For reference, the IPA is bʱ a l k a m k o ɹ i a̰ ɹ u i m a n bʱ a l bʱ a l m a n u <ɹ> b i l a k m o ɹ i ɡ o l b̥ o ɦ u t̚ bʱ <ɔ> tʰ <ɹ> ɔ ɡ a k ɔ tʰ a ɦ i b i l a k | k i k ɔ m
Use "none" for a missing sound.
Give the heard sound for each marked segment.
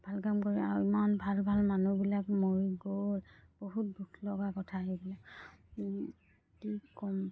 none, u, l

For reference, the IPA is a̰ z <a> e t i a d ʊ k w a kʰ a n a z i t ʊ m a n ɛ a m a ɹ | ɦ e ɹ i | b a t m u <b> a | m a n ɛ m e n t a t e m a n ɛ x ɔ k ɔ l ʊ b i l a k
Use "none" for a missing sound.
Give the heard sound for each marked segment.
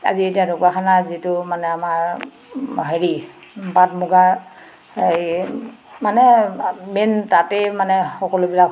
i, ɡ

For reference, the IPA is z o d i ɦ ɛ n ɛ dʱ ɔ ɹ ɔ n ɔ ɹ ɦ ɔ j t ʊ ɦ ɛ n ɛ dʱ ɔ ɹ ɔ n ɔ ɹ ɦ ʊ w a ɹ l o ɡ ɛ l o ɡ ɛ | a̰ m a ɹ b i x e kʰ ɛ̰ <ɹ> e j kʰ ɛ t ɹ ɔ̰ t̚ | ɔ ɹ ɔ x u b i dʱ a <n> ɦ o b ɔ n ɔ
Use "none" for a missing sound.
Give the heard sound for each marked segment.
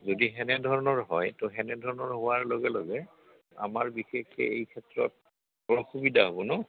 none, none

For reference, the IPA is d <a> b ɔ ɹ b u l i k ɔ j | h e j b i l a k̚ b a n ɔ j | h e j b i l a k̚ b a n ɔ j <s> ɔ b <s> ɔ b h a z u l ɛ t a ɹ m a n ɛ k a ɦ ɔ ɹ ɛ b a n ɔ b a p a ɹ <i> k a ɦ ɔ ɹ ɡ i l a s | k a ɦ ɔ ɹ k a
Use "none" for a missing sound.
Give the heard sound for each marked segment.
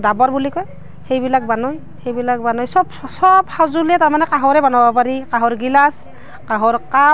a, s, s, i

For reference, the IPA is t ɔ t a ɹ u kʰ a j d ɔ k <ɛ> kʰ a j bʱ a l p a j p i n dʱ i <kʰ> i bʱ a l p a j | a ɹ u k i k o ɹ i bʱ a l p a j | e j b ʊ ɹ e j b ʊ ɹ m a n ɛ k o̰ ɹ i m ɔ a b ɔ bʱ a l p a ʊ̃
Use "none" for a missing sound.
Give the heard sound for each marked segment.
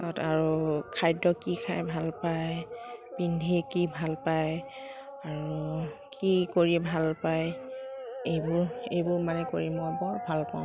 i, k

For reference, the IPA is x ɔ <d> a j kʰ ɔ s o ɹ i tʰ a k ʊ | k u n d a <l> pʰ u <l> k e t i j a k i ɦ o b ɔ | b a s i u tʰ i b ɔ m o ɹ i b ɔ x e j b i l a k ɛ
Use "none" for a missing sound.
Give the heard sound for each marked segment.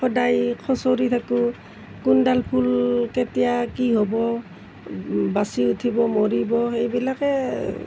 d, l, l

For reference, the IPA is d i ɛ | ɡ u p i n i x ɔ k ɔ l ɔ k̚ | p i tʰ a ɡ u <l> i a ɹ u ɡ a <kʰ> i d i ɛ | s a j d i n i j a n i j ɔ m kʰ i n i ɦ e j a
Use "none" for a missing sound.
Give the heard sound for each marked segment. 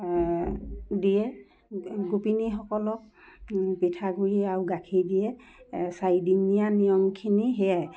ɹ, kʰ

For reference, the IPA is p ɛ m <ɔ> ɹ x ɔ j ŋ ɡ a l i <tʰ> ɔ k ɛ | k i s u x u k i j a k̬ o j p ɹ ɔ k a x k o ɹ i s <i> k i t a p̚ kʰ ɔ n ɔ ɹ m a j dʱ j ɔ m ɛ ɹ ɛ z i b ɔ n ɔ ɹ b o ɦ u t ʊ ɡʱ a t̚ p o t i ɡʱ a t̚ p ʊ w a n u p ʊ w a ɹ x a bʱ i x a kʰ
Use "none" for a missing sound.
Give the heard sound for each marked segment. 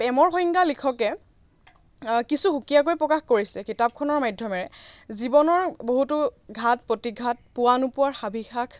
ɔ, kʰ, ɛ

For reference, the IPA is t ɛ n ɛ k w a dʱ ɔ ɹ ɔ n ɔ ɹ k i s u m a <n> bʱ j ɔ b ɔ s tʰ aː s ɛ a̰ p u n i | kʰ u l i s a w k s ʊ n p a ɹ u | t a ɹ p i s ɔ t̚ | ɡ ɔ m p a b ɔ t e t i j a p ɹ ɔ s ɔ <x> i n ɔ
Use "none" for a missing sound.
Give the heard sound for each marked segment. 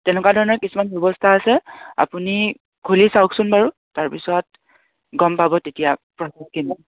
n, k

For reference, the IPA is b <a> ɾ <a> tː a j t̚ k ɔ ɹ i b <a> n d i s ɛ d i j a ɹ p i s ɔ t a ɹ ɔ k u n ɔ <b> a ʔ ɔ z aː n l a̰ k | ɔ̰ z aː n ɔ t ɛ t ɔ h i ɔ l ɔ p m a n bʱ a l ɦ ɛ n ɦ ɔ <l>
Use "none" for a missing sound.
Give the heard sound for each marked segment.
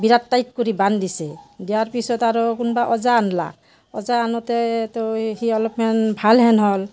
i, a, a, b, l

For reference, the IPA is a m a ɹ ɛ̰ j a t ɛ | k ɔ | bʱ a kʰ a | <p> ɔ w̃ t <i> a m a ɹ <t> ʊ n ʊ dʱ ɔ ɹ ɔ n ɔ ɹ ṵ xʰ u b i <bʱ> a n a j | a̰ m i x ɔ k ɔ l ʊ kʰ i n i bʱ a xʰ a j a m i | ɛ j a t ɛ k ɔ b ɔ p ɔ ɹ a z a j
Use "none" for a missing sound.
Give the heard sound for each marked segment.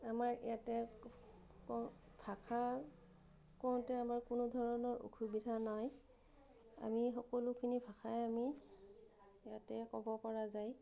k, ɛ, k, dʱ

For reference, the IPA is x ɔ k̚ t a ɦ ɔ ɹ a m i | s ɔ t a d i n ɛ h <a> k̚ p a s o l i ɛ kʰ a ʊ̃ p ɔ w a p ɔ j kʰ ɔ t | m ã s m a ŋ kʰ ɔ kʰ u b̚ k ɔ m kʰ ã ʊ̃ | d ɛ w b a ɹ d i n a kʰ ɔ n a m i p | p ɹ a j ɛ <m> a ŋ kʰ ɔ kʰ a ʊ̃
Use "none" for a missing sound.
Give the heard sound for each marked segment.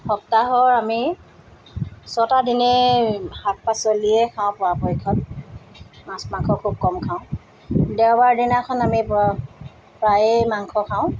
a, m

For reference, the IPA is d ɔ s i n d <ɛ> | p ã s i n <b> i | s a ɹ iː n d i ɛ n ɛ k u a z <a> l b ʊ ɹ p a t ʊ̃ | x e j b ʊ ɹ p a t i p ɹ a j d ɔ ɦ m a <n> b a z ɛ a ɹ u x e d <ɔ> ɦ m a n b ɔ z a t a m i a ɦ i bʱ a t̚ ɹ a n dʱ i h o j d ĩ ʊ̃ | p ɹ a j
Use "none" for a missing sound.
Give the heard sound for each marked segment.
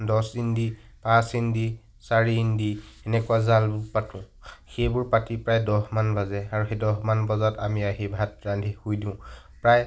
i, d, a, n, ɔ

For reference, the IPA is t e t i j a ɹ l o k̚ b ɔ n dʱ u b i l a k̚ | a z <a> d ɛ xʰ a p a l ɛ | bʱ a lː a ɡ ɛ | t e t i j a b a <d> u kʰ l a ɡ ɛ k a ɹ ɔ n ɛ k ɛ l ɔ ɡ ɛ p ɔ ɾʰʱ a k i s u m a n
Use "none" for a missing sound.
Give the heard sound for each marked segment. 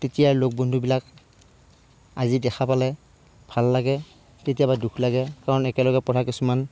i, d

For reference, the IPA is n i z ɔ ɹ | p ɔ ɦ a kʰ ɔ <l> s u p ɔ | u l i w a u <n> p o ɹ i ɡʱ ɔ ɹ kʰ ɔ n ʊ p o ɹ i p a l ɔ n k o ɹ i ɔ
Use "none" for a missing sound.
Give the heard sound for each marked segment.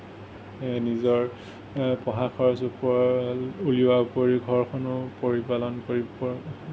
ɹ, none

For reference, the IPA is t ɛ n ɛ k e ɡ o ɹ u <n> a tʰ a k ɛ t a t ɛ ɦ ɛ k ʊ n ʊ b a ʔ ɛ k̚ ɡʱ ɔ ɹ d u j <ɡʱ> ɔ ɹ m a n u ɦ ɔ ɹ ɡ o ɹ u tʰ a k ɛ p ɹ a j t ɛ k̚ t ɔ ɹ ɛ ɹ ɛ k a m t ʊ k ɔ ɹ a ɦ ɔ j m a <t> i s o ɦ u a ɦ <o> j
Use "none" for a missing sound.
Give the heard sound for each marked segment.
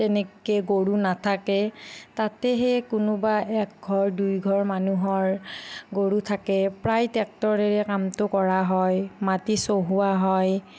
n, ɡʱ, t, ɔ

